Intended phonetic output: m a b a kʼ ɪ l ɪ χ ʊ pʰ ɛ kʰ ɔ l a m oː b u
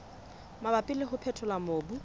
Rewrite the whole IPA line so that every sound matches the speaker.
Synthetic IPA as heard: m a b a pʼ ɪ l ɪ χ ʊ pʰ ɛ tʰ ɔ l a m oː b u

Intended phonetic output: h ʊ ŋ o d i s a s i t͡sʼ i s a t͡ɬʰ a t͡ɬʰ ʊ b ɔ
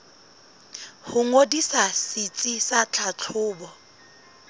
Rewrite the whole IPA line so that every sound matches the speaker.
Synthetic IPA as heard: h ʊ ŋ o d i s a s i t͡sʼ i s a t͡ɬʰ a t͡ɬʰ ʊː b ɔ

